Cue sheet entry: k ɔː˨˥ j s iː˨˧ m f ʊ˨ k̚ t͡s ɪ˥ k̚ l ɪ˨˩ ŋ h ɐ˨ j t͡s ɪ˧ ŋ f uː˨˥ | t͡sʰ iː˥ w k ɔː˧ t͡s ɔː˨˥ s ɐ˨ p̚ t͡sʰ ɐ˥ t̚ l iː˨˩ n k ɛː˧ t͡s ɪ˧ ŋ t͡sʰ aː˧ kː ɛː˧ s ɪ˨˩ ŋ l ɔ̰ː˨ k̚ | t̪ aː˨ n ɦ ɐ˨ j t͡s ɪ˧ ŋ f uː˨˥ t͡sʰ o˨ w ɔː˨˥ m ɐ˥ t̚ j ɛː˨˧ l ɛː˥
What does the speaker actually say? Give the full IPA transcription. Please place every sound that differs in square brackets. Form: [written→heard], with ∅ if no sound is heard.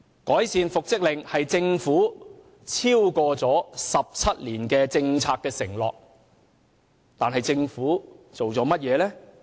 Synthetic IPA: k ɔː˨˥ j s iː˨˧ [m→n] f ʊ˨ k̚ t͡s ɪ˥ k̚ l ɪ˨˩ ŋ h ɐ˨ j t͡s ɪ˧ ŋ f uː˨˥ | t͡sʰ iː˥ w k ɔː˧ t͡s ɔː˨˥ s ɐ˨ p̚ t͡sʰ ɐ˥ t̚ l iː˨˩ n k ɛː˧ t͡s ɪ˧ ŋ t͡sʰ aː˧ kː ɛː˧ s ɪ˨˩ ŋ l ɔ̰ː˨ k̚ | t̪ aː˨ n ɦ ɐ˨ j t͡s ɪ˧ ŋ f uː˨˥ [t͡sʰ→t͡s] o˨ w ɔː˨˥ m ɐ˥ t̚ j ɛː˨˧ l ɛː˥